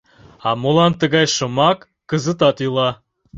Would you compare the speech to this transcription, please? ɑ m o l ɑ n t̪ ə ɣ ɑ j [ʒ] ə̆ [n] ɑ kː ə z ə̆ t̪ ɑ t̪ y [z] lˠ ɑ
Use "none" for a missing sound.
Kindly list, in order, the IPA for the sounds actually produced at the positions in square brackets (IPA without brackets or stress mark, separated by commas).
ʃ, m, none